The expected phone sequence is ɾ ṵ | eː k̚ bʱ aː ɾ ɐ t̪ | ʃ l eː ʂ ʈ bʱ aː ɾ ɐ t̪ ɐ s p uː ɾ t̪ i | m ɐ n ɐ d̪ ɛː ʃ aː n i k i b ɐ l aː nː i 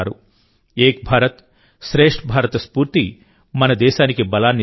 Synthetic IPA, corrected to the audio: ɾ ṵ | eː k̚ bʱ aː ɾ ɐ t̪ | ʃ ɾ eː ʂ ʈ bʱ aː ɾ ɐ t̪ ɐ s p uː ɾ t̪ i | m ɐ n ɐ d̪ ɛː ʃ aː n i k i b ɐ l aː nː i